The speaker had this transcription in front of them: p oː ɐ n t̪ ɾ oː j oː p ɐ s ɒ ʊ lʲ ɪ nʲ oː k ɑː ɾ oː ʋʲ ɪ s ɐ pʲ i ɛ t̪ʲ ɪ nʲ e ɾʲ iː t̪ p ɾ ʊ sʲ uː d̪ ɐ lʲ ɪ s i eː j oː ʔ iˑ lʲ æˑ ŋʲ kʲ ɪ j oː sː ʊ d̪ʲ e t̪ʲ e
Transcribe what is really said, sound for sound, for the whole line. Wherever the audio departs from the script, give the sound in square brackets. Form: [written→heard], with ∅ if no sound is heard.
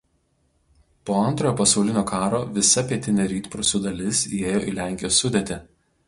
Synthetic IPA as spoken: p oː ɐ n t̪ ɾ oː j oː p ɐ s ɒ ʊ lʲ ɪ nʲ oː k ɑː ɾ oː ʋʲ ɪ s ɐ pʲ i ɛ t̪ʲ ɪ nʲ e ɾʲ iː t̪ p ɾ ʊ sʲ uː d̪ ɐ lʲ ɪ s i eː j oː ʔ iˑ lʲ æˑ ŋʲ kʲ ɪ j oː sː ʊ d̪ʲ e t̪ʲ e

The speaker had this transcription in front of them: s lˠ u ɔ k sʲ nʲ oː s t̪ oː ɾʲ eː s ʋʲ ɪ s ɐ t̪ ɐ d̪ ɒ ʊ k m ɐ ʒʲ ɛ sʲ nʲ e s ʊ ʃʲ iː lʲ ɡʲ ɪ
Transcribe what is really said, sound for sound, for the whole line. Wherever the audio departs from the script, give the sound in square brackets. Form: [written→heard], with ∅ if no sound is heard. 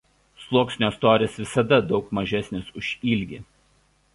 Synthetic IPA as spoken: s lˠ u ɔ k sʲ nʲ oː s t̪ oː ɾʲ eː s ʋʲ ɪ s ɐ [t̪→d̪] ɐ d̪ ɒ ʊ k m ɐ ʒʲ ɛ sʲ nʲ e s ʊ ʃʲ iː lʲ ɡʲ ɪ

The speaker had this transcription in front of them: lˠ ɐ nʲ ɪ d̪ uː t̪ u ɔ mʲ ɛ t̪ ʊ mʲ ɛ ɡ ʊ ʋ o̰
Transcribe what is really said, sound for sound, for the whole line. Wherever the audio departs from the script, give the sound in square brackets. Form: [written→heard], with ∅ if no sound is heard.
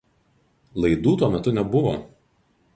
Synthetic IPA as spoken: lˠ ɐ [nʲ→∅] ɪ d̪ uː t̪ u ɔ mʲ ɛ t̪ ʊ [mʲ→nʲ] ɛ [ɡ→b] ʊ ʋ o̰

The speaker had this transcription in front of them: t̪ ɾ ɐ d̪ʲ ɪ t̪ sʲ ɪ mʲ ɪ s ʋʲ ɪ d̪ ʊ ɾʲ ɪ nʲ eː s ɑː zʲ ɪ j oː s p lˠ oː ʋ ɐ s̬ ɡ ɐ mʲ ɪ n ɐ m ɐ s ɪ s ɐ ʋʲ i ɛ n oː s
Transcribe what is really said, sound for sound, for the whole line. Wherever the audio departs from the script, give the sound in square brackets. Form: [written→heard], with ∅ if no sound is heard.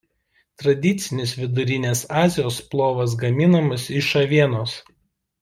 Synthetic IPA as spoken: t̪ ɾ ɐ d̪ʲ ɪ t̪ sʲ ɪ [mʲ→nʲ] ɪ s ʋʲ ɪ d̪ ʊ ɾʲ ɪ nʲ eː s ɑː zʲ ɪ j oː s p lˠ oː ʋ ɐ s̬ ɡ ɐ mʲ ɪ n ɐ m ɐ s ɪ [s→ʃ] ɐ ʋʲ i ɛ n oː s

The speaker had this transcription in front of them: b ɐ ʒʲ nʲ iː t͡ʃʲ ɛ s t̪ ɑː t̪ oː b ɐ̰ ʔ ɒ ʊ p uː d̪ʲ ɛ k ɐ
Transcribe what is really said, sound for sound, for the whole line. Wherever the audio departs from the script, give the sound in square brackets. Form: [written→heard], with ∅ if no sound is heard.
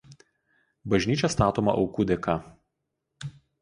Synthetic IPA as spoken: b ɐ ʒʲ nʲ iː t͡ʃʲ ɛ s t̪ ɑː t̪ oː [b→m] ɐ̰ ʔ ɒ ʊ [p→k] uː d̪ʲ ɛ k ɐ

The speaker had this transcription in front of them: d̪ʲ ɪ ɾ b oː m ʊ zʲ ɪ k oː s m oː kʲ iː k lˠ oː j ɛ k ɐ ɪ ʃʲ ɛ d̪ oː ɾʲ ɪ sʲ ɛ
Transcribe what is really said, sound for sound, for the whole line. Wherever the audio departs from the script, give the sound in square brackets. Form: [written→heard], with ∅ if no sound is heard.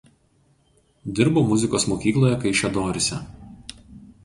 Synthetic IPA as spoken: d̪ʲ ɪ ɾ b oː m ʊ zʲ ɪ k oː s m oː kʲ iː k lˠ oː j ɛ k ɐ ɪ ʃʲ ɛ d̪ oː ɾʲ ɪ sʲ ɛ

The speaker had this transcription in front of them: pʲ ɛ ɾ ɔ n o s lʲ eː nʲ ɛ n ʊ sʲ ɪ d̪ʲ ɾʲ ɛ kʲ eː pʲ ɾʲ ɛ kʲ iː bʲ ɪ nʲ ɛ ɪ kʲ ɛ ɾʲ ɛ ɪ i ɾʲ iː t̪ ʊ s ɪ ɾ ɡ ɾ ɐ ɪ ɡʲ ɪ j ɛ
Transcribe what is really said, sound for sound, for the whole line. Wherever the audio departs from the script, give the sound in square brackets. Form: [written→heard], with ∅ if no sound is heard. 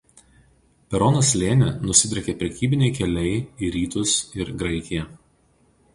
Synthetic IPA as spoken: pʲ ɛ ɾ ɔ n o s lʲ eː nʲ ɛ n ʊ sʲ ɪ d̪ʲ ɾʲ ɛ kʲ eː pʲ ɾʲ ɛ kʲ iː bʲ ɪ nʲ ɛ ɪ kʲ ɛ [ɾʲ→lʲ] ɛ ɪ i ɾʲ iː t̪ ʊ s ɪ ɾ ɡ ɾ ɐ ɪ [ɡʲ→kʲ] ɪ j ɛ

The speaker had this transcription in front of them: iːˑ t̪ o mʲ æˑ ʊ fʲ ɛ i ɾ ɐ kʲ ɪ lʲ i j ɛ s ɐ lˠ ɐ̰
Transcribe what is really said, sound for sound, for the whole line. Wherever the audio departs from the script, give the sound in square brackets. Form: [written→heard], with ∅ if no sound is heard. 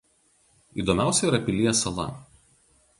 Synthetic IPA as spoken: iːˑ [t̪→d̪] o mʲ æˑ ʊ [fʲ→sʲ] ɛ i ɾ ɐ [kʲ→pʲ] ɪ lʲ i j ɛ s ɐ lˠ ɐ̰

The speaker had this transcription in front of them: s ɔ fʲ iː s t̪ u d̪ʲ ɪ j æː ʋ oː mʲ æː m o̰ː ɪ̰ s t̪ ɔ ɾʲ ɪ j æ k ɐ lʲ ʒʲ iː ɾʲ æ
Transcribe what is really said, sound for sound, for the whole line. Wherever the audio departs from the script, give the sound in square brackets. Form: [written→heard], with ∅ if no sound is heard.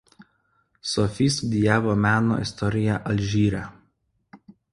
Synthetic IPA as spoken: s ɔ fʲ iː s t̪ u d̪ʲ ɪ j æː ʋ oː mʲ æː [m→n] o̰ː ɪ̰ s t̪ ɔ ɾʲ ɪ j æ [k→ʔ] ɐ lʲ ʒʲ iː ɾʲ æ

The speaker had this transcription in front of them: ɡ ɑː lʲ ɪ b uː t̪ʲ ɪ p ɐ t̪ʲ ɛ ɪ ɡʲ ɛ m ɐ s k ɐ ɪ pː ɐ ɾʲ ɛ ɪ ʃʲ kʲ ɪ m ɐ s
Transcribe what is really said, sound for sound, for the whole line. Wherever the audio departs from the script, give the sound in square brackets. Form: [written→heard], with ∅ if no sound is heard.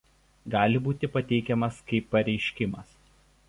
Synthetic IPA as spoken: ɡ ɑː lʲ ɪ b uː t̪ʲ ɪ p ɐ t̪ʲ ɛ ɪ [ɡʲ→kʲ] ɛ m ɐ s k ɐ ɪ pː ɐ ɾʲ ɛ ɪ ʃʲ kʲ ɪ m ɐ s

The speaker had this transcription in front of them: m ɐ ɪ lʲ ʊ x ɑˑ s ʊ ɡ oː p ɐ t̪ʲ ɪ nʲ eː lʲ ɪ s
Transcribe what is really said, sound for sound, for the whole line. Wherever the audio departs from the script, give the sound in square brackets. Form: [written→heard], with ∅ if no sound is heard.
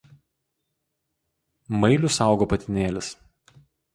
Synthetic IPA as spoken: m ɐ ɪ lʲ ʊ [x→s] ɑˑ [s→∅] ʊ ɡ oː p ɐ t̪ʲ ɪ nʲ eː lʲ ɪ s

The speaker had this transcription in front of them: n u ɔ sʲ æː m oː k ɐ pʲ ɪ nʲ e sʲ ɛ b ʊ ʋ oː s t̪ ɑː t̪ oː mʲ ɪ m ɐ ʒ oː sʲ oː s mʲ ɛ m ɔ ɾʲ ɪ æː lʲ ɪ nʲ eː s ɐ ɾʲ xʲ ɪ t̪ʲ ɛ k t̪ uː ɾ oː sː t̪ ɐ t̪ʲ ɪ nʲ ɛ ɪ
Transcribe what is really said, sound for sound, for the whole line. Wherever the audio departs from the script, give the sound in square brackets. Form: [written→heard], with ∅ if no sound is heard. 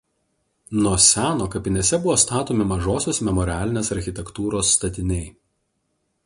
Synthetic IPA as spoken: n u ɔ sʲ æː [m→n] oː k ɐ pʲ ɪ nʲ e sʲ ɛ b ʊ ʋ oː s t̪ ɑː t̪ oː mʲ ɪ m ɐ ʒ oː sʲ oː s mʲ ɛ m ɔ ɾʲ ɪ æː lʲ ɪ nʲ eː s ɐ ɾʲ xʲ ɪ t̪ʲ ɛ k t̪ uː ɾ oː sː t̪ ɐ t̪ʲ ɪ nʲ ɛ ɪ

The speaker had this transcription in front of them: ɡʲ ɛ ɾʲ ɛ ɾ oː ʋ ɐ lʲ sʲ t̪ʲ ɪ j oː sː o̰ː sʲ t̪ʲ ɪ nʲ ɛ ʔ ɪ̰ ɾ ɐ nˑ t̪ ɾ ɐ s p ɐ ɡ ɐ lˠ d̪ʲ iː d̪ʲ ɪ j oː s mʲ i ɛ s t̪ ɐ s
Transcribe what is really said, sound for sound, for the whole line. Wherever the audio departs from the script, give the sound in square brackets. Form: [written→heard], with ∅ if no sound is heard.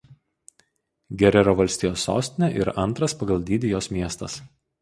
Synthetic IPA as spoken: ɡʲ ɛ ɾʲ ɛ ɾ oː ʋ ɐ lʲ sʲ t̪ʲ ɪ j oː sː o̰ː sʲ t̪ʲ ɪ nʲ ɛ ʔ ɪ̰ ɾ ɐ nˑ t̪ ɾ ɐ s p ɐ ɡ ɐ lˠ d̪ʲ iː d̪ʲ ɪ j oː s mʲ i ɛ s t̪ ɐ s

